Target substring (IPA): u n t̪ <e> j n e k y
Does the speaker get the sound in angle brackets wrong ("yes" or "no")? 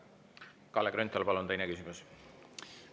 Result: no